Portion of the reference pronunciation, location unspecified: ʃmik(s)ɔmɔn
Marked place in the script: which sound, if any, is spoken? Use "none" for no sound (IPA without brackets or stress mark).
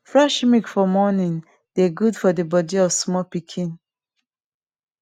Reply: f